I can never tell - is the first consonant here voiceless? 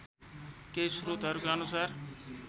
yes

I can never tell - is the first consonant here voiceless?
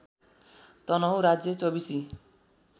yes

